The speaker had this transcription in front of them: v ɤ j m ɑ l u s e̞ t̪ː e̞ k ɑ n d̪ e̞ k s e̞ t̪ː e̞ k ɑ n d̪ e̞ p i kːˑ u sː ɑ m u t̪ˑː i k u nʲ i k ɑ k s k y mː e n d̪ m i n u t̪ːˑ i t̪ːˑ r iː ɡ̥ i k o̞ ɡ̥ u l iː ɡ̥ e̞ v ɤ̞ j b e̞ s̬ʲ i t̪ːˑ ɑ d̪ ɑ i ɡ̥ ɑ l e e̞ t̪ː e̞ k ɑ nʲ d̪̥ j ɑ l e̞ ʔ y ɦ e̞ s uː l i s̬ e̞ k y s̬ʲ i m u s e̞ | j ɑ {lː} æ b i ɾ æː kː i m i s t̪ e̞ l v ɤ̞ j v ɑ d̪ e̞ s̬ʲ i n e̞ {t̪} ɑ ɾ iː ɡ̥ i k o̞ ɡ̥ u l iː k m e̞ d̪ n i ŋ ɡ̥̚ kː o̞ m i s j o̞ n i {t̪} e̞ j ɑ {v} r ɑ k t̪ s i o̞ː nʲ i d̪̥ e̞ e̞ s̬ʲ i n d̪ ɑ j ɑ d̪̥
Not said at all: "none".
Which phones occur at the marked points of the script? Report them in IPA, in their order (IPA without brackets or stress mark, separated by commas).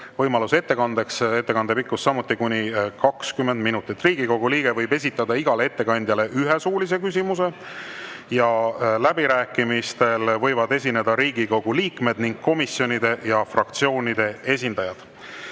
l, d̪, d̪, f